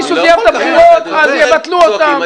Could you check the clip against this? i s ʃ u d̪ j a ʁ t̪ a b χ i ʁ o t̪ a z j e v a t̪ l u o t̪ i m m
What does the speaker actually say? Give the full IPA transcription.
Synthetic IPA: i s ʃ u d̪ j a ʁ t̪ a b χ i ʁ o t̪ a z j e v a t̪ l u o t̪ a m m

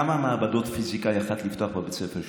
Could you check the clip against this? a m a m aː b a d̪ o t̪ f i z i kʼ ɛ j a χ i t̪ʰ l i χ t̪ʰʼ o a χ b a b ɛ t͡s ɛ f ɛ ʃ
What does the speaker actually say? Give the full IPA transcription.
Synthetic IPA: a m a m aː b a d̪ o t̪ f i z i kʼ a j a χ a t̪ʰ l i f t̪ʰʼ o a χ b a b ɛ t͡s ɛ f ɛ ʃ

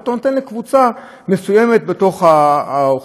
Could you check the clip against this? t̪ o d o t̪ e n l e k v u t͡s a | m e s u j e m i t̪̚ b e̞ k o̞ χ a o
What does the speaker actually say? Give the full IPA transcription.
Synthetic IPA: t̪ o n o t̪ e n l e k v u t͡s a | m e s u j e m e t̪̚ b e̞ t o̞ χ a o

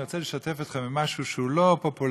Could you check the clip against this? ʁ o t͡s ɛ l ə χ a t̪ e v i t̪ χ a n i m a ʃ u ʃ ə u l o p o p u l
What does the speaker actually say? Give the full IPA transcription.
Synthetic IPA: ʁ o t͡s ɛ l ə ʃ a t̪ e f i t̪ χ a m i m a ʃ u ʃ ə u l o p o p u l

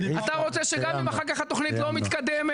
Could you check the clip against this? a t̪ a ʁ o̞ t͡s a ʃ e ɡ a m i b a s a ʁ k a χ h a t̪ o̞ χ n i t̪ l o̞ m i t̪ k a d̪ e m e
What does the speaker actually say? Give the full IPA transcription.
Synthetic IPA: a t̪ a ʁ o̞ t͡s e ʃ e ɡ a m i m a χ a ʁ k a χ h a t̪ o̞ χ n i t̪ l o̞ m i t̪ k a d̪ e m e

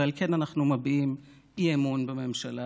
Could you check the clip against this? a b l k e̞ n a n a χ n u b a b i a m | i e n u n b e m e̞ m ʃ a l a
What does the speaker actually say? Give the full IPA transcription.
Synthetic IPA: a l k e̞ n a n a χ n u m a b i i m | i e m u n b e m e̞ m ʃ a l a

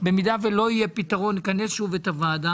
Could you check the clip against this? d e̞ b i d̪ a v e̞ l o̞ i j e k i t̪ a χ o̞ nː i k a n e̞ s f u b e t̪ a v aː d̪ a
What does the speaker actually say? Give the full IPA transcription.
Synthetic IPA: b e̞ m i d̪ a v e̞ l o̞ i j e p i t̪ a ʁ o̞ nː i k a n e̞ s ʃ u v e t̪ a v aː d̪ a

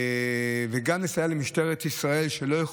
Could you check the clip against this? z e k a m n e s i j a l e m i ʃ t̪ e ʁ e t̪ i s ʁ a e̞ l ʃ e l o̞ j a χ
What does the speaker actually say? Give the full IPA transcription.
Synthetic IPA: v e ɡ a m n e s a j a l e m i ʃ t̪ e ʁ e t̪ i s ʁ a e̞ l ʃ e l o̞ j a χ

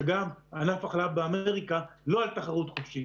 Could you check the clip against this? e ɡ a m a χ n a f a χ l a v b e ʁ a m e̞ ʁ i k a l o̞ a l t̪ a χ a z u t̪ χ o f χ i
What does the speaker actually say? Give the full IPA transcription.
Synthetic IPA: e ɡ a m a n a f a χ l a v b e a m e̞ ʁ i k a l o̞ a l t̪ a χ a ʁ u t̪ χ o f ʃ i

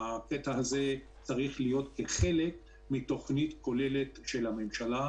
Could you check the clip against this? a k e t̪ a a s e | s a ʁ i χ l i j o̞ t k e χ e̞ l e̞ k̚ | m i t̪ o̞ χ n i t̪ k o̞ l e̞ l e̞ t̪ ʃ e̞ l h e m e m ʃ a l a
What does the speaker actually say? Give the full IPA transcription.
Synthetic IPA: a k e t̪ a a z e | t͡s a ʁ i χ l i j o̞ t k e χ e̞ l e̞ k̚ | m i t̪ o̞ χ n i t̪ k o̞ l e̞ l e̞ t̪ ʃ e̞ l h a m e m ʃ a l a

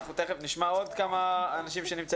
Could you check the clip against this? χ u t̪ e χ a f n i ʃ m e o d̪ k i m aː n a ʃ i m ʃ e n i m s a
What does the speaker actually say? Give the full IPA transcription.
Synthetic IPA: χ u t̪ e χ e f n i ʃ m a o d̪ k a m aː n a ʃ i m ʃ e n i m t͡s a

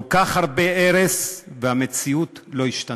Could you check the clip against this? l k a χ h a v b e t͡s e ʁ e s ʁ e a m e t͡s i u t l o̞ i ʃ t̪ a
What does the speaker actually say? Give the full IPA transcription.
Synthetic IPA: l k a χ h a ʁ b e e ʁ e s v e a m e t͡s i u t l o̞ i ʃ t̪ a

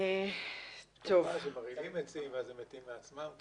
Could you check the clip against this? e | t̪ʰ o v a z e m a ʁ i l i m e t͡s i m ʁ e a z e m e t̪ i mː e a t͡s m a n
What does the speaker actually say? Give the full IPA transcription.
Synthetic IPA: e | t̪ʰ o v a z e m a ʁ i l i m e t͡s i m v e a z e m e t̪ i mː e a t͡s m a m

